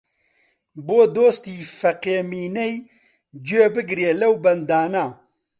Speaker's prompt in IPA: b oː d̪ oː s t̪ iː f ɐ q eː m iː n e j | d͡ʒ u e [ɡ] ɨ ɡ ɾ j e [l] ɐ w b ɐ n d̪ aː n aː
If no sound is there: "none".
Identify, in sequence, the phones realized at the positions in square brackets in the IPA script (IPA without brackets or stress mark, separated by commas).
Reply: b, l